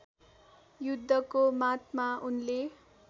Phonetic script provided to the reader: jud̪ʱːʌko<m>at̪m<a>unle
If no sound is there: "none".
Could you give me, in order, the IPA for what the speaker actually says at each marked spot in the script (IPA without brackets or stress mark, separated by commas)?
m, a